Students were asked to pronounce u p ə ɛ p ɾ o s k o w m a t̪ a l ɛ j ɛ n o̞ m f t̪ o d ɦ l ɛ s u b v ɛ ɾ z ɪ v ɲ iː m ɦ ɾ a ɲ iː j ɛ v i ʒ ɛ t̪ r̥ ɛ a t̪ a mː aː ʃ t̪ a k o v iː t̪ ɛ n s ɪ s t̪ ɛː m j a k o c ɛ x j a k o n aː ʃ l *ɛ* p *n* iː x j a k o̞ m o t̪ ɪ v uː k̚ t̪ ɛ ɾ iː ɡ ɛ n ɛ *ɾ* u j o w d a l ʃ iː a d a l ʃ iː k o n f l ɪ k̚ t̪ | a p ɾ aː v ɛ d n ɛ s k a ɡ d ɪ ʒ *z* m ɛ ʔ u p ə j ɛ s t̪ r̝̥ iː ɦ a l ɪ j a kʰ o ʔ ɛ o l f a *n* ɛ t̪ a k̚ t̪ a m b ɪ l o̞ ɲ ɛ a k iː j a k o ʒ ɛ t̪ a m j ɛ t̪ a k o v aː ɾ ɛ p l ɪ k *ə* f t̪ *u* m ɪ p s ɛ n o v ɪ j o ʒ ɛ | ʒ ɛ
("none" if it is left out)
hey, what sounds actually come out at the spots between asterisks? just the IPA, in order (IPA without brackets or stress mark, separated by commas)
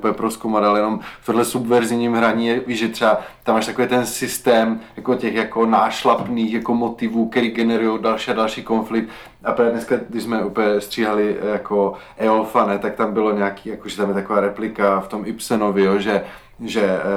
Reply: a, n, ɾ, z, n, a, o